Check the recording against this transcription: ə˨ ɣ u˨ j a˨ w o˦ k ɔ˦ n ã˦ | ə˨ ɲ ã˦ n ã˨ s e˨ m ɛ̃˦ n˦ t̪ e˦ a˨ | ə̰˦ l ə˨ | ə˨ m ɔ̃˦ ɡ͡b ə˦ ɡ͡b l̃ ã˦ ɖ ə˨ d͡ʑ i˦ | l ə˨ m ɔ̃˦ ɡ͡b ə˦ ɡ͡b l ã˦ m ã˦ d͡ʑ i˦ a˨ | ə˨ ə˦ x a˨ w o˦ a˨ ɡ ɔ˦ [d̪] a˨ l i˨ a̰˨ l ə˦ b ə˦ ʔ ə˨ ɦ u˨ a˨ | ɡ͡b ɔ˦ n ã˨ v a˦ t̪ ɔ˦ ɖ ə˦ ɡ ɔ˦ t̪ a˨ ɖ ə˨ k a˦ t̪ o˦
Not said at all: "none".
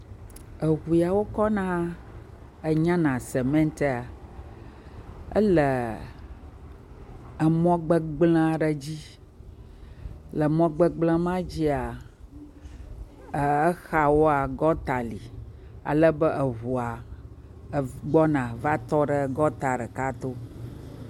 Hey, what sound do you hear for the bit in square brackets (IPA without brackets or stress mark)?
t̪